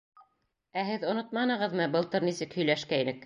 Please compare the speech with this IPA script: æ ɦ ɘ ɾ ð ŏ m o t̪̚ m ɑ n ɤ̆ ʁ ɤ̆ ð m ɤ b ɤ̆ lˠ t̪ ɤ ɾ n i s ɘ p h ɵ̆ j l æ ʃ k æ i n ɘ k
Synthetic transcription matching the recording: æ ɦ ɘ ð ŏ n o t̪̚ m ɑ n ɤ̆ ʁ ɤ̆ ð m ɤ b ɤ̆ lˠ t̪ ɤ ɾ n i s ɘ k h ɵ̆ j l æ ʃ k æ i n ɘ k